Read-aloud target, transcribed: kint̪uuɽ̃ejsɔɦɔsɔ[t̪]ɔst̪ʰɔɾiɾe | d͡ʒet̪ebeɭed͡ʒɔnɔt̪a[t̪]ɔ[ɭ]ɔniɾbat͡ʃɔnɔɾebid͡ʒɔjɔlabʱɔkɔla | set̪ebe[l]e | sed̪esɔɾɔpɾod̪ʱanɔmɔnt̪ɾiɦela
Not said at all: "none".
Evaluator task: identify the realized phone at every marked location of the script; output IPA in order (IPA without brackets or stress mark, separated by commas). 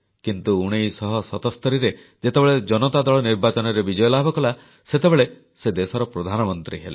t̪, d̪, ɭ, ɭ